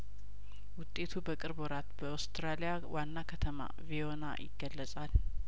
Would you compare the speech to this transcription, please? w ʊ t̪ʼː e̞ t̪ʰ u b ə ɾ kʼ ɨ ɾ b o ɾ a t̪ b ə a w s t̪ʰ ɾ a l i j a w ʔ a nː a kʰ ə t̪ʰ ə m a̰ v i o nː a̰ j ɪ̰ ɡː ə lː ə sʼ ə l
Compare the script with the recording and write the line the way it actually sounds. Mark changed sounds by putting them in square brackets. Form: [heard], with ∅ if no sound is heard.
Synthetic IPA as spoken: w ʊ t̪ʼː e̞ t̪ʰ u b ə [∅] kʼ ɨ ɾ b o ɾ a t̪ b ə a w s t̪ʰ ɾ a l i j a w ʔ a nː a kʰ ə t̪ʰ ə m a̰ v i o [n] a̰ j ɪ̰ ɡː ə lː ə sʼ [a] l